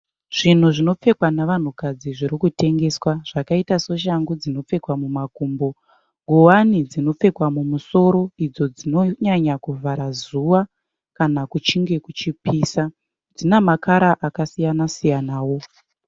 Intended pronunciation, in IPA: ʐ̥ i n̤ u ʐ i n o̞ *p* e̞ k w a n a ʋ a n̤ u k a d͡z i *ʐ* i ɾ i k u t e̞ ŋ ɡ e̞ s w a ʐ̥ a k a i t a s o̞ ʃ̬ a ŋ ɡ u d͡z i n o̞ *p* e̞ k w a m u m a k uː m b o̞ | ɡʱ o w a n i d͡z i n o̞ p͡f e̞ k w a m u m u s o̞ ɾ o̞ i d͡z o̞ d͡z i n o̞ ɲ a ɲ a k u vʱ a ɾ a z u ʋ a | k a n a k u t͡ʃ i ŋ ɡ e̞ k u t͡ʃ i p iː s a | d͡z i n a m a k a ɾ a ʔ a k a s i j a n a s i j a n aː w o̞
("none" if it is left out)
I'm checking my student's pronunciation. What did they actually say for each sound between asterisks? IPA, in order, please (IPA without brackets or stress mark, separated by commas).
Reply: p͡f, ʐ, p͡f